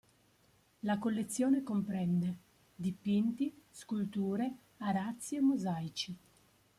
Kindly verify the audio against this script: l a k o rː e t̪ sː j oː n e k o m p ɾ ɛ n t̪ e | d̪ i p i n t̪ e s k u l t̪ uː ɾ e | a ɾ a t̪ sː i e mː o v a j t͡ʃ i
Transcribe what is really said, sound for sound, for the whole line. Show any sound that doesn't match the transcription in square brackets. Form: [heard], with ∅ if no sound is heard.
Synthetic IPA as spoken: l a k o [lː] e t̪ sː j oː n e k o m p ɾ ɛ n [d̪] e | d̪ i p i n t̪ [i] s k u l t̪ uː ɾ e | a ɾ a t̪ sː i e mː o [z] a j t͡ʃ i